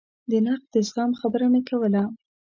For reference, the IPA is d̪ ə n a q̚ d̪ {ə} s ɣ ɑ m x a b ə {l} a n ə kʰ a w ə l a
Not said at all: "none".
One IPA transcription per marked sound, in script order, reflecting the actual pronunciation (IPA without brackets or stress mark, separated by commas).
ə, ɾ